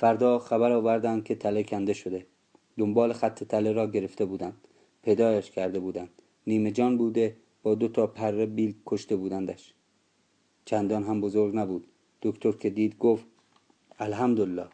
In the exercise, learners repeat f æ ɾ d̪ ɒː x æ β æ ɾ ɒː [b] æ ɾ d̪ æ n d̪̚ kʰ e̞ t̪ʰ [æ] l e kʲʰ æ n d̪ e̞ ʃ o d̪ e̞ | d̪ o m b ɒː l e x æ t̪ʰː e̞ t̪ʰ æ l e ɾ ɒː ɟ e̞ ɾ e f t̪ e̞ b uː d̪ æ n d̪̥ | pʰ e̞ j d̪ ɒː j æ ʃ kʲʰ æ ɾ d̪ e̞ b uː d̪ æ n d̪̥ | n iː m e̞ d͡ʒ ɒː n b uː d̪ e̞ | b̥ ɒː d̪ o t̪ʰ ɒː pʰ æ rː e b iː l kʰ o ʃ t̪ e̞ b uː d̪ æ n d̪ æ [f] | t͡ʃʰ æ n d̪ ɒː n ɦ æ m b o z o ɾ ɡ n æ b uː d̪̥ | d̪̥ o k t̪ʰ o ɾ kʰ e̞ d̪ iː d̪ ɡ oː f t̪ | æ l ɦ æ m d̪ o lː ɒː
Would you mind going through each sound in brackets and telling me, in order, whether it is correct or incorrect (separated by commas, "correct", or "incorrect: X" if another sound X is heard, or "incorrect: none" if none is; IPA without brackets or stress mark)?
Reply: incorrect: v, correct, incorrect: ʃ